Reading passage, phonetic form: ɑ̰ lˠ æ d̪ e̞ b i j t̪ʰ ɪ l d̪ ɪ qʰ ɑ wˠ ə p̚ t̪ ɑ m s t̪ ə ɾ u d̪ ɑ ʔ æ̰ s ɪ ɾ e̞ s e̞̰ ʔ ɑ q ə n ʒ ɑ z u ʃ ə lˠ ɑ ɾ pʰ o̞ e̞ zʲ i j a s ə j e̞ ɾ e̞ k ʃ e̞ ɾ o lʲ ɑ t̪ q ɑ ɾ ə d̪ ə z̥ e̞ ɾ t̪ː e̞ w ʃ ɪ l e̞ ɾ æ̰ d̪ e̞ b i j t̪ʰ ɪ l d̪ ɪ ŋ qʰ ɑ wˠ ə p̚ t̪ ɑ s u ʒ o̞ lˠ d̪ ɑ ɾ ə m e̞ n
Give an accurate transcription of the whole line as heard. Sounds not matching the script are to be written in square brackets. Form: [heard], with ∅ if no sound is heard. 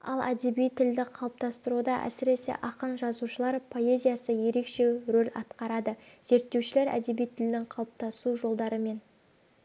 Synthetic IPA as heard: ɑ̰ lˠ æ d̪ e̞ b i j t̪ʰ ɪ l d̪ ɪ qʰ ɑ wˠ ə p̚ t̪ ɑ [∅] s t̪ ə ɾ u d̪ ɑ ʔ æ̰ s ɪ ɾ e̞ s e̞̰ ʔ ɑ q ə n ʒ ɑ z u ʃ ə lˠ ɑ ɾ pʰ o̞ e̞ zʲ i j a s ə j e̞ ɾ e̞ k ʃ e̞ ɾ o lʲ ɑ t̪ q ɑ ɾ [ɑ] d̪ ə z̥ e̞ ɾ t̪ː e̞ w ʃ ɪ l e̞ ɾ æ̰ d̪ e̞ b i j t̪ʰ ɪ l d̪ ɪ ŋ qʰ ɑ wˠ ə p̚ t̪ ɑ s u ʒ o̞ lˠ d̪ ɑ ɾ ə m e̞ n

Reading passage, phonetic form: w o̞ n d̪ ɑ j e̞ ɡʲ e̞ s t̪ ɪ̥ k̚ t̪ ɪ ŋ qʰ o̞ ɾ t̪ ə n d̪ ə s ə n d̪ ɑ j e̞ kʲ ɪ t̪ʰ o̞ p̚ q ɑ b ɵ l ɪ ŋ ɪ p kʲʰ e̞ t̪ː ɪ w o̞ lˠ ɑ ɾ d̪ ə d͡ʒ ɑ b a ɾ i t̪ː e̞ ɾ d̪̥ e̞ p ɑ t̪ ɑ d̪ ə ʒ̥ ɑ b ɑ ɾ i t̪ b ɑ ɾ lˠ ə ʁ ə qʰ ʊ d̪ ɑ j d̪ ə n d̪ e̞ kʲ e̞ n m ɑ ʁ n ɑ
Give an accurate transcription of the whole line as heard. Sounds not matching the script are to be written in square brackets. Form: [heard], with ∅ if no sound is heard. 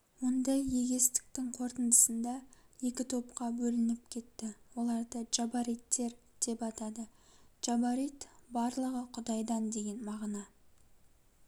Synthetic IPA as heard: w o̞ n d̪ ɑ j e̞ ɡʲ e̞ s t̪ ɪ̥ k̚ t̪ ɪ ŋ qʰ o̞ ɾ t̪ ə n d̪ ə s ə n d̪ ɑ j e̞ kʲ ɪ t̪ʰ o̞ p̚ q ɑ b ɵ l ɪ [n] ɪ p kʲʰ e̞ t̪ː ɪ w o̞ lˠ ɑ ɾ d̪ ə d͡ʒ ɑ b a ɾ i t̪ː e̞ ɾ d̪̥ e̞ p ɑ t̪ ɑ d̪ ə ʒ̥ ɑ b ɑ ɾ i t̪ b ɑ ɾ lˠ ə ʁ ə qʰ ʊ d̪ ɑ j d̪ [ɑ] n d̪ e̞ [ɡʲ] e̞ n m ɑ ʁ n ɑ

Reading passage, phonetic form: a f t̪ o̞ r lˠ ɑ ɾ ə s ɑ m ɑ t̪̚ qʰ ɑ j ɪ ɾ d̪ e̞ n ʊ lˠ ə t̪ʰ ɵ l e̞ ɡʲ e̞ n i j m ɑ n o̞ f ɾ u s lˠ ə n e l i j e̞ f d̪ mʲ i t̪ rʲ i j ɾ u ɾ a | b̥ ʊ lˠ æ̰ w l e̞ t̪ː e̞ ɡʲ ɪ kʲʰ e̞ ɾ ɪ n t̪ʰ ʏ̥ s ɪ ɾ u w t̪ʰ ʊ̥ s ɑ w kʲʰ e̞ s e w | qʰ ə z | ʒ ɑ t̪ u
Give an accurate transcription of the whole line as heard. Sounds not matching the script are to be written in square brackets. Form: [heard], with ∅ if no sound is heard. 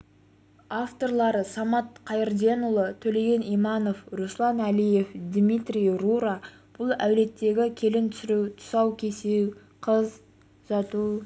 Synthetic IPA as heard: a f t̪ o̞ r lˠ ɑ ɾ ə s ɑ m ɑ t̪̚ qʰ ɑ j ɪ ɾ d̪ e̞ n ʊ lˠ ə t̪ʰ ɵ l e̞ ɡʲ e̞ n i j m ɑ n o̞ f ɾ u s lˠ [ɑ] n [æ] l i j e̞ f d̪ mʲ i t̪ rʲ i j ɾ u ɾ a | b̥ ʊ lˠ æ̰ w l e̞ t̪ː e̞ ɡʲ ɪ kʲʰ e̞ [l] ɪ n t̪ʰ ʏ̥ s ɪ ɾ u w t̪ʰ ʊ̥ s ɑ w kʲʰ e̞ s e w | qʰ ə z | ʒ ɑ t̪ u

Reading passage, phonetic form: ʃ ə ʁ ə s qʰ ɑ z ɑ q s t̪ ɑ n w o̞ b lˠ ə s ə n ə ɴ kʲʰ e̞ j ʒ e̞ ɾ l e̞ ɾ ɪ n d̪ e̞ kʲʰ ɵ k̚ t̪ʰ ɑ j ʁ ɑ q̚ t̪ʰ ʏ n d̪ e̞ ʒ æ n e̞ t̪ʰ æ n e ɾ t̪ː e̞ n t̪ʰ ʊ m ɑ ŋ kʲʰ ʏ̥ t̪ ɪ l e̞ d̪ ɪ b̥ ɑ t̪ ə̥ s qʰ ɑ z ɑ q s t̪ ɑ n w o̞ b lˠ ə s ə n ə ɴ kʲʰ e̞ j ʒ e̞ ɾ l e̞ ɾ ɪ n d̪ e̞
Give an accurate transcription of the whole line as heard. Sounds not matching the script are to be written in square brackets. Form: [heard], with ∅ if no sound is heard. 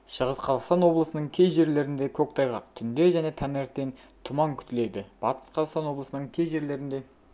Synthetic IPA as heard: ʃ ə ʁ ə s qʰ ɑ z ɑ q s t̪ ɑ n w o̞ b lˠ ə s ə n ə ɴ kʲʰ e̞ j ʒ e̞ ɾ l e̞ ɾ ɪ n d̪ e̞ kʲʰ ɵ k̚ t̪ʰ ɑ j ʁ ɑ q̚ t̪ʰ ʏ n d̪ e̞ ʒ æ n e̞ t̪ʰ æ n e ɾ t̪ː e̞ n t̪ʰ ʊ m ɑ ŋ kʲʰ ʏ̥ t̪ ɪ l e̞ d̪ ɪ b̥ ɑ t̪ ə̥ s qʰ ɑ z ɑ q s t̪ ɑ n w o̞ b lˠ ə s ə n ə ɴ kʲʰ e̞ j ʒ e̞ ɾ l e̞ ɾ ɪ n d̪ e̞

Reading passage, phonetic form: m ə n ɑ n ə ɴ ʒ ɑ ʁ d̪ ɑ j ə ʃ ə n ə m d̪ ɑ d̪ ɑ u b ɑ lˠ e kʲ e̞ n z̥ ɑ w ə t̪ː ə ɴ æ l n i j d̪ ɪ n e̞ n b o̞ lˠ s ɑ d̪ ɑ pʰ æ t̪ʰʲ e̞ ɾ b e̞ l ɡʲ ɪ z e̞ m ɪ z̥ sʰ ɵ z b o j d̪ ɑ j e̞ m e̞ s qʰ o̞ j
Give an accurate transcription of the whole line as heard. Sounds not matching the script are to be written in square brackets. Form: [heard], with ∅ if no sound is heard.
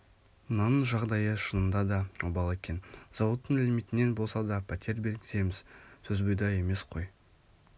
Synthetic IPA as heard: m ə n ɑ n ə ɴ ʒ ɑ ʁ d̪ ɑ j ə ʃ ə n ə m d̪ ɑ d̪ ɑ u b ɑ lˠ e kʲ e̞ n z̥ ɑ w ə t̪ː ə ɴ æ l [m] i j [t̪] ɪ n e̞ n b o̞ lˠ s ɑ d̪ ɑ pʰ æ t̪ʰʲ e̞ ɾ b e̞ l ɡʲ ɪ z e̞ m ɪ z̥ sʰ ɵ z b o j d̪ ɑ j e̞ m e̞ s qʰ o̞ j

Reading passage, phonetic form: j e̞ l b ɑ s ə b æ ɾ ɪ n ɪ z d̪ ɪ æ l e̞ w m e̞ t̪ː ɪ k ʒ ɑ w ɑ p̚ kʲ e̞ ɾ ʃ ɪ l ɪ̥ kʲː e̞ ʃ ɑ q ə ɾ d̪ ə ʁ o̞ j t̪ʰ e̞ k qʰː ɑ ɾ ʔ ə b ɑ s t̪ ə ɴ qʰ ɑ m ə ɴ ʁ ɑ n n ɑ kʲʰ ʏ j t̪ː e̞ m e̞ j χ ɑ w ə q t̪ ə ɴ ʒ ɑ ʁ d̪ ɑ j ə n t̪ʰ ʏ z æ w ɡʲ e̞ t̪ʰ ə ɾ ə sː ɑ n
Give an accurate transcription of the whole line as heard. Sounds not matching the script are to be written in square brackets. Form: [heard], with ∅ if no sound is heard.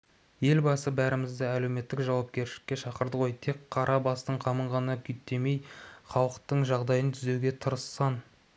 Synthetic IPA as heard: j e̞ l b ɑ s ə b æ ɾ ɪ [m] ɪ z d̪ ɪ æ l e̞ w m e̞ t̪ː ɪ k ʒ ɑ w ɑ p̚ kʲ e̞ ɾ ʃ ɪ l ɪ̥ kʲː e̞ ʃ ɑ q ə ɾ d̪ ə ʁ o̞ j t̪ʰ e̞ k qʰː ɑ ɾ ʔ [ɑ] b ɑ s t̪ ə ɴ qʰ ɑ m ə ɴ ʁ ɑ n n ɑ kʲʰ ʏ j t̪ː e̞ m e̞ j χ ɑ w ə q t̪ ə ɴ ʒ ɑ ʁ d̪ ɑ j ə n t̪ʰ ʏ z [e] w ɡʲ e̞ t̪ʰ ə ɾ ə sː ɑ n

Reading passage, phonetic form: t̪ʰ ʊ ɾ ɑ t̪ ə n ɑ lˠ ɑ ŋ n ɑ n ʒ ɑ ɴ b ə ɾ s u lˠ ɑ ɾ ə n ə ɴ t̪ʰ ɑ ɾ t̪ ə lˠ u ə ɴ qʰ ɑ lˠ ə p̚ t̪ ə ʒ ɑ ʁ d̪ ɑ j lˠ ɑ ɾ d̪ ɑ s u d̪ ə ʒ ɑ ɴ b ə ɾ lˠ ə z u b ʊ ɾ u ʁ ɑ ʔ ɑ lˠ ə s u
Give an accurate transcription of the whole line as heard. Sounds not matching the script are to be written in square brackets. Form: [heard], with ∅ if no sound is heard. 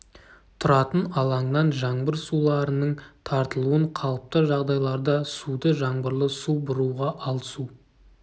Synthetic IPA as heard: t̪ʰ ʊ ɾ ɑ t̪ ə n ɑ lˠ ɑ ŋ n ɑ n ʒ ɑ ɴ b ə ɾ s u lˠ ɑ ɾ ə n ə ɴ t̪ʰ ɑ ɾ t̪ ə lˠ u ə ɴ qʰ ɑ lˠ ə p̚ t̪ ə ʒ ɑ ʁ d̪ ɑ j lˠ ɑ ɾ d̪ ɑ s u d̪ ə ʒ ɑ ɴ b ə ɾ lˠ ə [s] u b ʊ ɾ u ʁ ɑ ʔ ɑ lˠ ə s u

